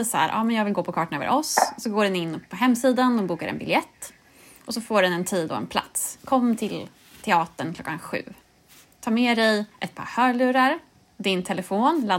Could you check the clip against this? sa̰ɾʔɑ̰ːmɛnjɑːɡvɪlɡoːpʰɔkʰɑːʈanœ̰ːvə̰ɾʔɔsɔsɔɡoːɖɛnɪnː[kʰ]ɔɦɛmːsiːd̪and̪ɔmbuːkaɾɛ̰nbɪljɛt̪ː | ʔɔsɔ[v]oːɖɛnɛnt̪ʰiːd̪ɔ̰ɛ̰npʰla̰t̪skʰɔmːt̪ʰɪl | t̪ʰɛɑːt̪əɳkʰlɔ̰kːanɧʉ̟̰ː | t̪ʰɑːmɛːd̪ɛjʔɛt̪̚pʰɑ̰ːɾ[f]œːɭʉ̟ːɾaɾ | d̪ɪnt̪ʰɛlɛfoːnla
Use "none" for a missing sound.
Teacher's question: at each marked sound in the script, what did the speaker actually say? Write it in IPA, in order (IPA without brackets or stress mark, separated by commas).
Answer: pʰ, f, h